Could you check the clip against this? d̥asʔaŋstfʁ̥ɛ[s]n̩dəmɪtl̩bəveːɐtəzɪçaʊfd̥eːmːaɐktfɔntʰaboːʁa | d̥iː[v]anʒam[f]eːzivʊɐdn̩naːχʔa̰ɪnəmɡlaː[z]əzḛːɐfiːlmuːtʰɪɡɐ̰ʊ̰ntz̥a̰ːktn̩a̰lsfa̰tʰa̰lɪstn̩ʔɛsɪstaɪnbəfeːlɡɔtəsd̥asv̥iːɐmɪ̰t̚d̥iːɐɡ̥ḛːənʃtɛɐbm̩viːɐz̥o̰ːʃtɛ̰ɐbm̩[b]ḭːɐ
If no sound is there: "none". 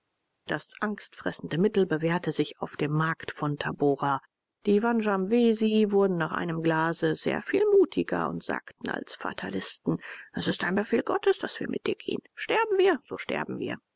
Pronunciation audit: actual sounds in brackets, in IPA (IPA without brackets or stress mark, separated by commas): s, v, v, z, v